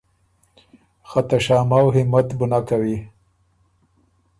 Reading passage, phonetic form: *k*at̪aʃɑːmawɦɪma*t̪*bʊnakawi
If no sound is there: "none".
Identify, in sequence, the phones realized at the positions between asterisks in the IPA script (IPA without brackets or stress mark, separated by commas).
x, t̪